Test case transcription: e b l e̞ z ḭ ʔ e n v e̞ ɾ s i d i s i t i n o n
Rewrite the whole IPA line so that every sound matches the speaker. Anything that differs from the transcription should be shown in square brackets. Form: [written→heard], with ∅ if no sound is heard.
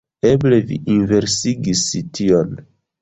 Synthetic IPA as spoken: e b l e̞ [z→v] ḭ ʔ [e→i] n v e̞ ɾ s i [d→ɡ] i s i t i [n→∅] o n